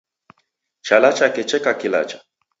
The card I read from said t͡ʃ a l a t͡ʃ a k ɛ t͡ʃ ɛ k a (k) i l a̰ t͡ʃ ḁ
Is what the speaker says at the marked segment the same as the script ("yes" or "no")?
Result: yes